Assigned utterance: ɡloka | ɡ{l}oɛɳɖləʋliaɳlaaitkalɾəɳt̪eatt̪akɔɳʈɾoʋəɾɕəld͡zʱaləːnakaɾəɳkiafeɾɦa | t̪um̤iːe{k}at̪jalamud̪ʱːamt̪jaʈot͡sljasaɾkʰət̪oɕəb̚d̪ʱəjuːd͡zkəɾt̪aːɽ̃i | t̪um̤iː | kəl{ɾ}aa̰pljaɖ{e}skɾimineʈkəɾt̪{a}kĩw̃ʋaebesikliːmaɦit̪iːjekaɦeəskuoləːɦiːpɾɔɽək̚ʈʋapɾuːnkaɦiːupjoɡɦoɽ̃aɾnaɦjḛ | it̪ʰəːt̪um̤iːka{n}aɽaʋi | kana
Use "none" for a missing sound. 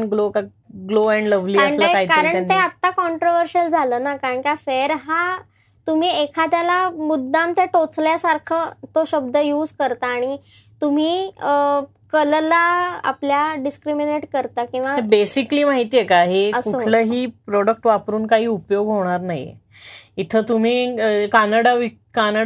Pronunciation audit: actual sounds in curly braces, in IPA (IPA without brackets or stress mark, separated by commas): l, kʰ, l, i, a, n